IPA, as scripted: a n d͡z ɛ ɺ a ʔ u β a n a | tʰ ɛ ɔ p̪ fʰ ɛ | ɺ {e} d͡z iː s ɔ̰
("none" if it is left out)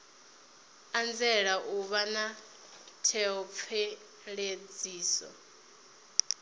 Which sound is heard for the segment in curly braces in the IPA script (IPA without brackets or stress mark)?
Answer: e